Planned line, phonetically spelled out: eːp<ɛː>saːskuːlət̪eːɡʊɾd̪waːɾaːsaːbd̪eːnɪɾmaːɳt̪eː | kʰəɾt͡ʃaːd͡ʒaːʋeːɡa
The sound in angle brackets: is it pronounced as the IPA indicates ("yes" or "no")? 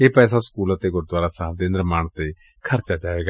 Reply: yes